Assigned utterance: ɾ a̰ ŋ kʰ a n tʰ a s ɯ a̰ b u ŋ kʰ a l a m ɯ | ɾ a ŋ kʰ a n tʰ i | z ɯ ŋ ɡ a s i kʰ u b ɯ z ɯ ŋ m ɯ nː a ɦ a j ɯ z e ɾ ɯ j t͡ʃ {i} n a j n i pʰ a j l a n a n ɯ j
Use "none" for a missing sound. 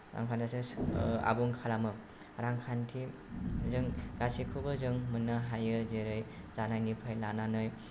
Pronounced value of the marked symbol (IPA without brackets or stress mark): a